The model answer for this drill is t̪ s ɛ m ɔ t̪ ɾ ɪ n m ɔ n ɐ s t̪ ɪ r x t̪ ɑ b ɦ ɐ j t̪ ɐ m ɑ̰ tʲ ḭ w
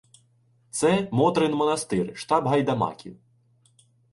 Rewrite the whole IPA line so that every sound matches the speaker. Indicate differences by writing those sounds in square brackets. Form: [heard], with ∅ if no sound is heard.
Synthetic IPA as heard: t̪ s ɛ m ɔ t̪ ɾ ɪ n m ɔ n ɐ s t̪ ɪ r [ʃ] t̪ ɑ b ɦ ɐ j [d̪] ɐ m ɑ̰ [kʲ] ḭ w